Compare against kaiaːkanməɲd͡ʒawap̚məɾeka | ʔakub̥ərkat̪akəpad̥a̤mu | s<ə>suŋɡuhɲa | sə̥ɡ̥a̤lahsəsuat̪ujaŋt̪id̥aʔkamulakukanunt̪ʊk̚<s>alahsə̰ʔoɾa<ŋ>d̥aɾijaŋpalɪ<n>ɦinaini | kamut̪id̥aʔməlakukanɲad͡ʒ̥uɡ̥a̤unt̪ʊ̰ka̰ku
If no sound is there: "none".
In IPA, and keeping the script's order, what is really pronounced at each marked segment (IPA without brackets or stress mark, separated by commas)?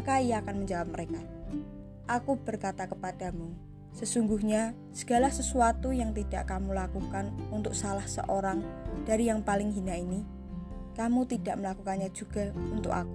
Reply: ə, s, ŋ, ŋ